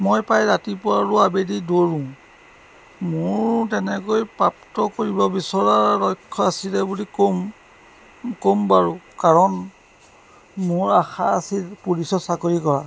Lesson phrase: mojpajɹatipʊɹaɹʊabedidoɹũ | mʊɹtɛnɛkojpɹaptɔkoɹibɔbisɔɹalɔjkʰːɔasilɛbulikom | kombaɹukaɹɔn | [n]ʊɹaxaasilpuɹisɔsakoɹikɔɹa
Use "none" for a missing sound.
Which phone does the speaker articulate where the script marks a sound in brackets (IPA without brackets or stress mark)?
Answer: m